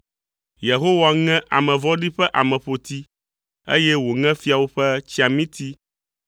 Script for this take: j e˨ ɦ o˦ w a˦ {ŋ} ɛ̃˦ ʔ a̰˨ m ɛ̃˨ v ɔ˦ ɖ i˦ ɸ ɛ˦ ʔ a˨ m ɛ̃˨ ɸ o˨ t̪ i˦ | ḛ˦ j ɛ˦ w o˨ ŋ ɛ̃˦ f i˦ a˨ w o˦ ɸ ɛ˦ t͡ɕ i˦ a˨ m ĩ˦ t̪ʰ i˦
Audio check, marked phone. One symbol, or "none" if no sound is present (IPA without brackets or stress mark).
ŋ